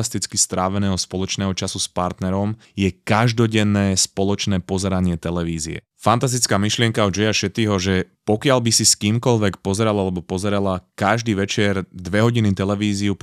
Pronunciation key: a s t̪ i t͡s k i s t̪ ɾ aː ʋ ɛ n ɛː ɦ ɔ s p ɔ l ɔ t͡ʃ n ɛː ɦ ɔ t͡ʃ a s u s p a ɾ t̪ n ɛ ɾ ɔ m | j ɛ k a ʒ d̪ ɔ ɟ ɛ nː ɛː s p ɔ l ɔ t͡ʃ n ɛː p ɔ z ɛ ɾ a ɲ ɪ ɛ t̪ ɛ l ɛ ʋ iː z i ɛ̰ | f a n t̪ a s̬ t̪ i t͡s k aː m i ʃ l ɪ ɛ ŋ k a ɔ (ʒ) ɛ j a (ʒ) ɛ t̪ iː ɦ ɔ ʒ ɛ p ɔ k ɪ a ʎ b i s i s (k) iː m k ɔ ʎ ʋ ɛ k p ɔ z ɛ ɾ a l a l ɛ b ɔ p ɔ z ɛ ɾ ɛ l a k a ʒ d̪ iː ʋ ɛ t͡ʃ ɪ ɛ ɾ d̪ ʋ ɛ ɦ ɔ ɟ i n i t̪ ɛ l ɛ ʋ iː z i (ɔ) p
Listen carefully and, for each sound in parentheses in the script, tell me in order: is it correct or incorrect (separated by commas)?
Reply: incorrect, incorrect, correct, incorrect